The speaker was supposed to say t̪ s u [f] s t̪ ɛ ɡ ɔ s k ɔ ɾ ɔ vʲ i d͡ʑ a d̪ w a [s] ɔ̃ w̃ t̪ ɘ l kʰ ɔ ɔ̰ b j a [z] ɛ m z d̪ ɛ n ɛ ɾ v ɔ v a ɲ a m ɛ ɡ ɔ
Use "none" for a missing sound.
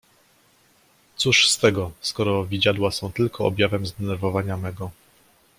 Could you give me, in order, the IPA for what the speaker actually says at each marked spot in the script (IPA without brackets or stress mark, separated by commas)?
ʂ, s, v